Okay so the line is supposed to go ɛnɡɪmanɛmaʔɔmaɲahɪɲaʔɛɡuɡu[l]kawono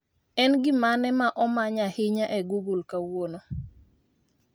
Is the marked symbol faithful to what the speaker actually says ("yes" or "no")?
yes